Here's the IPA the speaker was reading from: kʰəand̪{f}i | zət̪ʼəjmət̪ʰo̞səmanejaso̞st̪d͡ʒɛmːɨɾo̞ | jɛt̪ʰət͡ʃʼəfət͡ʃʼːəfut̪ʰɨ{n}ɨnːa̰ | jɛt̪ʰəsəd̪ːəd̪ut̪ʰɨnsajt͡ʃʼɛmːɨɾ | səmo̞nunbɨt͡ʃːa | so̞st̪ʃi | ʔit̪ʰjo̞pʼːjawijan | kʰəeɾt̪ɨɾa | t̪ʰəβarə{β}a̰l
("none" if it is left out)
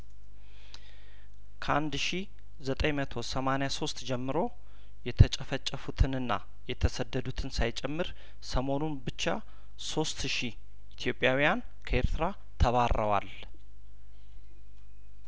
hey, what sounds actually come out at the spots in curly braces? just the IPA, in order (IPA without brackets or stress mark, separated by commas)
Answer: ʃ, n, w